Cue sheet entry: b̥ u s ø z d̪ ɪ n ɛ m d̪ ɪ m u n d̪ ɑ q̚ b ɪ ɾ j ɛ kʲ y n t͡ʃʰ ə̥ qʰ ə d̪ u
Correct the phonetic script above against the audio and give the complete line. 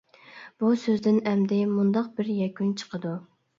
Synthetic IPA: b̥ u s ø z d̪ ɪ n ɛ m d̪ ɪ m u n d̪ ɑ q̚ b ɪ ɾ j ɛ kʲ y n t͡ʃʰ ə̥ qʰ ə d̪ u